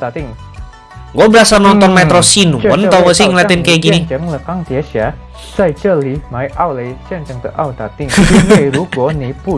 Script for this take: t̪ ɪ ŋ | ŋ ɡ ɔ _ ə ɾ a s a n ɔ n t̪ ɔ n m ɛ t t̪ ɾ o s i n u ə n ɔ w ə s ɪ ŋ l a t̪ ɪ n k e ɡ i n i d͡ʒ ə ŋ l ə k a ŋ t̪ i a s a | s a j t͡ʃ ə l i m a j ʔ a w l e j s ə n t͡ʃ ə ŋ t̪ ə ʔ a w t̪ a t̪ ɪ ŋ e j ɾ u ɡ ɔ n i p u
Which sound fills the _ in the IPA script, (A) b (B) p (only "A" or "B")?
A